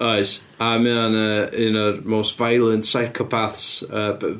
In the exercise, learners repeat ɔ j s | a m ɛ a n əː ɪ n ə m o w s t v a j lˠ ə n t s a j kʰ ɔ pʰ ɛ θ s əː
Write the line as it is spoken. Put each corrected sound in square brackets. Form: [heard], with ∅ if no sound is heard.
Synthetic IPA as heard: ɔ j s | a m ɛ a n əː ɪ n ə m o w s t v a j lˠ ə n t s a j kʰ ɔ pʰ [a] θ s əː